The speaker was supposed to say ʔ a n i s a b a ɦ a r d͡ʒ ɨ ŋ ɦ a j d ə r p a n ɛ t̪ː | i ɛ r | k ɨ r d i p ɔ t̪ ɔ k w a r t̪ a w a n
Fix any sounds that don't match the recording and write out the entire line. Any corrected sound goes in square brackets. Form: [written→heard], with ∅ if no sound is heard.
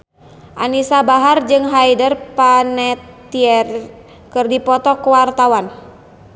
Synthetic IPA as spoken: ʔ a n i s a b a ɦ a r d͡ʒ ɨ ŋ ɦ a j d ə r p a n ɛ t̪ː | i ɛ r | k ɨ r d i p ɔ t̪ ɔ k w a r t̪ a w a n